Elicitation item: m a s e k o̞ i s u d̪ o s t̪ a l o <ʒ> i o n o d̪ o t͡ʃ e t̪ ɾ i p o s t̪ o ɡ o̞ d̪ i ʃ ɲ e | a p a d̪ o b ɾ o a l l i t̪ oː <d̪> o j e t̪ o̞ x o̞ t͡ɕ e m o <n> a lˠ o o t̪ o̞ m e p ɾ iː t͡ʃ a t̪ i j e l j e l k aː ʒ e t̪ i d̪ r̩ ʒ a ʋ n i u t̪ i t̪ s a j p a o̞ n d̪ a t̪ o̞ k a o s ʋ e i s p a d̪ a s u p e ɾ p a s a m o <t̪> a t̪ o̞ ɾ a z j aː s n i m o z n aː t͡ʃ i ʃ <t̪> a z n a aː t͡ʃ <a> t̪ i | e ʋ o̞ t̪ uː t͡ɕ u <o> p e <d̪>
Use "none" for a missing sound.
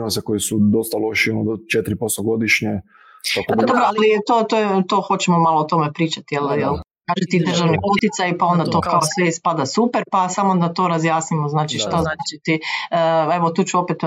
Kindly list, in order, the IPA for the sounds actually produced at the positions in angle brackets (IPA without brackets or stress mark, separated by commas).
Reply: ʃ, t̪, m, d̪, t̪, i, o, t̪